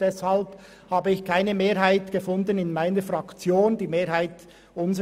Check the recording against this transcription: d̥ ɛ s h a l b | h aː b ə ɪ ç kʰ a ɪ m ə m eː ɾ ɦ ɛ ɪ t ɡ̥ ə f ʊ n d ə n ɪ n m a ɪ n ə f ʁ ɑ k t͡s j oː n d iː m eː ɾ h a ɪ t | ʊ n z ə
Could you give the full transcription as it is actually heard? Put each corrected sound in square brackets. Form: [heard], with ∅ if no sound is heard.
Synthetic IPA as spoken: d̥ ɛ s h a l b | h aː b ə ɪ ç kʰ a ɪ [n] ə m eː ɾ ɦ [a] ɪ t ɡ̥ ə f ʊ n d ə n ɪ n m a ɪ n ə f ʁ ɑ k t͡s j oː n d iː m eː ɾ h a ɪ t | ʊ n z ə